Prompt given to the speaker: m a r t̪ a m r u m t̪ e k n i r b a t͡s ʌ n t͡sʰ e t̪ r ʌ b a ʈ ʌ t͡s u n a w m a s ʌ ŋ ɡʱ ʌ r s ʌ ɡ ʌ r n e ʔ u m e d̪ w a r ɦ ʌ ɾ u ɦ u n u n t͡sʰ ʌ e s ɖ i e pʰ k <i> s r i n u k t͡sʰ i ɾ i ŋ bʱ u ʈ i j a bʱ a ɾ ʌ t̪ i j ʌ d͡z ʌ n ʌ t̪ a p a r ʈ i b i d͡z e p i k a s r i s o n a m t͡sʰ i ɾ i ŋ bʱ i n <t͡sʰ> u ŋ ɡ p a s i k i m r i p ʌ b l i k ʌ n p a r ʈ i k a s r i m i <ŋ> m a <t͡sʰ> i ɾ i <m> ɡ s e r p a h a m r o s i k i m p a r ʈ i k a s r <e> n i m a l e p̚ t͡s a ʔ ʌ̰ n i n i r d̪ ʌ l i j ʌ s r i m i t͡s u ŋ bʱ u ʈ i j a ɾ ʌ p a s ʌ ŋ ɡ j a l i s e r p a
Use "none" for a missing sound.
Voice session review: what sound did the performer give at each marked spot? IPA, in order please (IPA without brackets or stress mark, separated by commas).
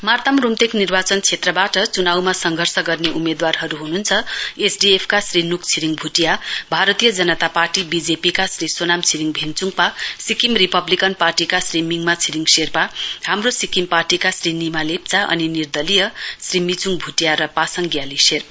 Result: a, t͡s, ŋ, t͡sʰ, ŋ, i